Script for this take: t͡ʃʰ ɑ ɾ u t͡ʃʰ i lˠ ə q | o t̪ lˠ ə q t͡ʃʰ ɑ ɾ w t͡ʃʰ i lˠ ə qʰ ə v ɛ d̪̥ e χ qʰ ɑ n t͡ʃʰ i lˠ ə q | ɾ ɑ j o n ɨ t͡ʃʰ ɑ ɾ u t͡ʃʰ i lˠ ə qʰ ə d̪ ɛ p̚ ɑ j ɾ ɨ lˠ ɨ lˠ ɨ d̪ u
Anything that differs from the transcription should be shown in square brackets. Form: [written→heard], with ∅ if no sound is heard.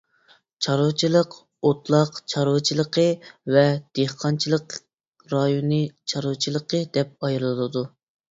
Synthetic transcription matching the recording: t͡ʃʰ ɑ ɾ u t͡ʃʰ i lˠ ə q | o t̪ lˠ [ə→ɑ] q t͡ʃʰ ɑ ɾ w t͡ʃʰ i lˠ ə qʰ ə v ɛ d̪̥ e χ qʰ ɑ n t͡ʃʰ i lˠ ə q | ɾ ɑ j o n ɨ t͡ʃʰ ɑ ɾ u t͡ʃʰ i lˠ ə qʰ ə d̪ ɛ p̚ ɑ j ɾ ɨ lˠ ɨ lˠ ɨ d̪ u